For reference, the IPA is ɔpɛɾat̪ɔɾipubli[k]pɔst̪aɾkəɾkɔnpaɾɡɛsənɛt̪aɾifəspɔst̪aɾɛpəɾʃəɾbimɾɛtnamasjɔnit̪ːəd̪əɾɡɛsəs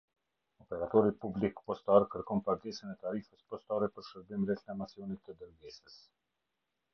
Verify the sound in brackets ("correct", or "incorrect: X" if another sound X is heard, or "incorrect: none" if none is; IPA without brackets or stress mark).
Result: correct